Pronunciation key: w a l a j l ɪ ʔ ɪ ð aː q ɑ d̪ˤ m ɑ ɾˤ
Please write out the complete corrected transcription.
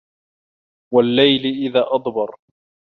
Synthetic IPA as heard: w a lː a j l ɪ ʔ ɪ ð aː ʔ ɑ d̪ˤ b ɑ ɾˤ